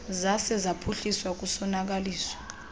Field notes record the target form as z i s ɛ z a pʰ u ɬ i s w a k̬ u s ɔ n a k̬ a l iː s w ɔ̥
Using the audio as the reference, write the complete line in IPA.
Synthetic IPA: z a s ɛ z a pʰ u ɬ i s w a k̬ u s ɔ n a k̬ a l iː s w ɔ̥